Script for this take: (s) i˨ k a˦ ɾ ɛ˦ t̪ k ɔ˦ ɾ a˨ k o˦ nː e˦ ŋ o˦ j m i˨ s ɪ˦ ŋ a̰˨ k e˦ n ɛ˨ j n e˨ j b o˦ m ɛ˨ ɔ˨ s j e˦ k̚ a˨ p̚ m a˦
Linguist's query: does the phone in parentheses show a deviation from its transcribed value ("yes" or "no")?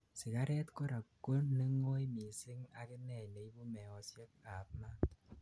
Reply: no